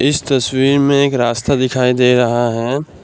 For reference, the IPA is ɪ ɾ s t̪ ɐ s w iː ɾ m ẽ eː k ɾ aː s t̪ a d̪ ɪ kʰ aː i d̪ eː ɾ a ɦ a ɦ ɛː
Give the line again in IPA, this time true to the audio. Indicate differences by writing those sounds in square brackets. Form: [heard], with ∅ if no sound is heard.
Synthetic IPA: ɪ [∅] s t̪ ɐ s w iː ɾ m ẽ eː k ɾ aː s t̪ a d̪ ɪ kʰ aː i d̪ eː ɾ [ɐ] ɦ a ɦ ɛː